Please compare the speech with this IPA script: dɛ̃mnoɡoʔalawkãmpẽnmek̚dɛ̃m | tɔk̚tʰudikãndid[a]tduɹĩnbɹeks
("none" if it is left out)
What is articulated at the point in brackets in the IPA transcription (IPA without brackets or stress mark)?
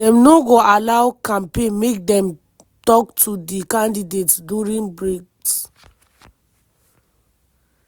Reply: e